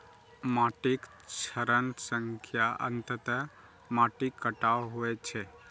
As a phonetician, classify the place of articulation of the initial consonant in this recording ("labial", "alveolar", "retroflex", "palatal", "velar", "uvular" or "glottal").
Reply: labial